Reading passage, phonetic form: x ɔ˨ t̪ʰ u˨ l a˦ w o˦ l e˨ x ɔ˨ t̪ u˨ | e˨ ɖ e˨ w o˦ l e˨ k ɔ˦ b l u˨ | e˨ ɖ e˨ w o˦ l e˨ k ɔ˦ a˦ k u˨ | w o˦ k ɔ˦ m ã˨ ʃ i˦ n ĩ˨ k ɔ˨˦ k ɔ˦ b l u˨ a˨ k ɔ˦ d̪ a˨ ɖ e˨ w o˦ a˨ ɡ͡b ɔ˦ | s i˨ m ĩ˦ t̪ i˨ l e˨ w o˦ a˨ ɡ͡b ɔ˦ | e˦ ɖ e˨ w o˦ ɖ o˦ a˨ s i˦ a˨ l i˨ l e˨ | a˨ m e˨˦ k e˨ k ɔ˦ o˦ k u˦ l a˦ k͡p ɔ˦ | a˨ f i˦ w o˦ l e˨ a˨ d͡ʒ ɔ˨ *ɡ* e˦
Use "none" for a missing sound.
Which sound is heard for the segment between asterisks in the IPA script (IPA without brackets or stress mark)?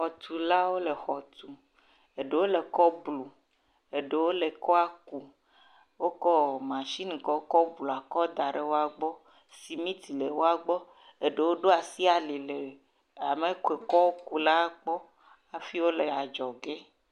ɡ